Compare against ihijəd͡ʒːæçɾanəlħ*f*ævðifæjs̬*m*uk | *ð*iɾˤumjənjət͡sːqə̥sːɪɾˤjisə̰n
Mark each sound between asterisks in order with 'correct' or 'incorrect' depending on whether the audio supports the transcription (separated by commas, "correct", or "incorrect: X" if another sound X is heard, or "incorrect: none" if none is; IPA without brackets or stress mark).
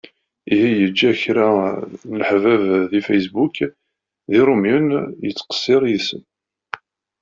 incorrect: v, incorrect: b, correct